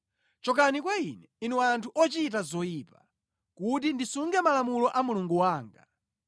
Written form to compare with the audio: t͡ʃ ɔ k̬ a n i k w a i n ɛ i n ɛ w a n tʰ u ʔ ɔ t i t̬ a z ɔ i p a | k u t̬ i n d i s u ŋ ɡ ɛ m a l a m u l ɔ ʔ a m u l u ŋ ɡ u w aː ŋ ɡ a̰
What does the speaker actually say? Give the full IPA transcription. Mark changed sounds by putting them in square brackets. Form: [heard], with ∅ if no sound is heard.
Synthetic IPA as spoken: t͡ʃ ɔ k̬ a n i k w a i n ɛ i n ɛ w a n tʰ u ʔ ɔ [t͡ʃ] i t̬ a z ɔ i p a | k u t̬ i n d i s u ŋ ɡ ɛ m a l a m u l ɔ ʔ a m u l u ŋ ɡ u w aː ŋ ɡ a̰